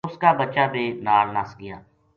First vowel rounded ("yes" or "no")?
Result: yes